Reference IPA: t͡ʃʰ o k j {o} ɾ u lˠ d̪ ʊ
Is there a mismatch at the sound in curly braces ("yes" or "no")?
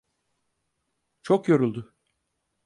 no